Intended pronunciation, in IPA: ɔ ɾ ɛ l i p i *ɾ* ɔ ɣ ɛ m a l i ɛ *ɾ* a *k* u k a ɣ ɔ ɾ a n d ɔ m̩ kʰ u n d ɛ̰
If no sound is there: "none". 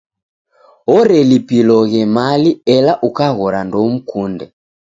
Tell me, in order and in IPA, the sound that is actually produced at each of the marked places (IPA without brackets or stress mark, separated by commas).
l, l, ʔ